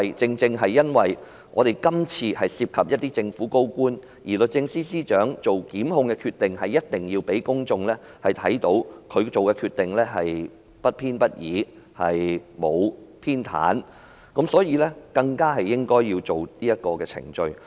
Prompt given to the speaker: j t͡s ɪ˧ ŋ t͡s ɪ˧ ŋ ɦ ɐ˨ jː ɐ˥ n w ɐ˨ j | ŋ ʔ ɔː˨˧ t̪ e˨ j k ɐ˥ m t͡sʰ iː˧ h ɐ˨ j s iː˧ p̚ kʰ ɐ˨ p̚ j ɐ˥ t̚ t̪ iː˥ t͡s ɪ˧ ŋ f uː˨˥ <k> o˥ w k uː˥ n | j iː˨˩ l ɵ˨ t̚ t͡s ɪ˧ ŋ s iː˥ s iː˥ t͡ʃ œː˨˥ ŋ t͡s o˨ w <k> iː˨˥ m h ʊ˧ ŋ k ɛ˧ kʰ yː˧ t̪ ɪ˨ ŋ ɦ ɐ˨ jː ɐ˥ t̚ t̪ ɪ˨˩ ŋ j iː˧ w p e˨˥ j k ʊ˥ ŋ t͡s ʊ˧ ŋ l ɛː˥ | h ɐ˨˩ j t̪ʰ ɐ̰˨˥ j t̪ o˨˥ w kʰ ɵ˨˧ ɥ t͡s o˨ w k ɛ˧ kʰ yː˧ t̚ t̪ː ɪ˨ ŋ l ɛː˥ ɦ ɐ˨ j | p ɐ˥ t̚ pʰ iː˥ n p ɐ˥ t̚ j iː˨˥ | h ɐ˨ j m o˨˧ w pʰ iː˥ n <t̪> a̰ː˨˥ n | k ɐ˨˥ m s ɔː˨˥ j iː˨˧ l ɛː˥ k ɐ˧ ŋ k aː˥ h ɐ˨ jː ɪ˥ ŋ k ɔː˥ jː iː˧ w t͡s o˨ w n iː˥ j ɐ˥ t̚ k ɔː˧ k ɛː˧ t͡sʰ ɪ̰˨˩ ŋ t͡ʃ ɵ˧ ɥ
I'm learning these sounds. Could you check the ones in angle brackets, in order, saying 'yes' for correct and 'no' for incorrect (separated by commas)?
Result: yes, yes, no